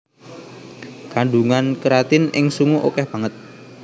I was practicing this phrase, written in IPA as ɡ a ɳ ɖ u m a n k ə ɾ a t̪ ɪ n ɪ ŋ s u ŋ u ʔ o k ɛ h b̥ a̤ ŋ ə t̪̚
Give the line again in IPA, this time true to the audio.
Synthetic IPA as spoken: k a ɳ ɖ u ŋ a n k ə ɾ a t̪ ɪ n ɪ ŋ s u ŋ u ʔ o k ɛ h b̥ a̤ ŋ ə t̪̚